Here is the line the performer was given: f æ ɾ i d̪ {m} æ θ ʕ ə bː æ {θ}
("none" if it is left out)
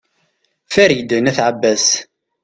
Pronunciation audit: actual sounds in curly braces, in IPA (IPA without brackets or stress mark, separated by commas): n, s